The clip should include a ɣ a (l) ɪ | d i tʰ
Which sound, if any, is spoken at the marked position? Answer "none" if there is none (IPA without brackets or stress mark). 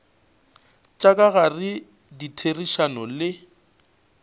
r